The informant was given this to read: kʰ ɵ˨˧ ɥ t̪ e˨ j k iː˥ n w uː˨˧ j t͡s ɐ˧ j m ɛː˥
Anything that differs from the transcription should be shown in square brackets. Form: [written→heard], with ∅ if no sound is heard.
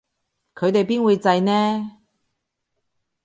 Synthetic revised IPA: kʰ ɵ˨˧ ɥ t̪ e˨ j [k→p] iː˥ n w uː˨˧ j t͡s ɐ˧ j [m→n] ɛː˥